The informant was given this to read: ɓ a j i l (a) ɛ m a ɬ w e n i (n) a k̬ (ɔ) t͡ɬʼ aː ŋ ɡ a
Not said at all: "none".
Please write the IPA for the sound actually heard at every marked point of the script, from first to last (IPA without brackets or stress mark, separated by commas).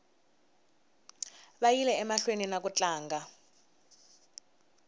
ɛ, n, u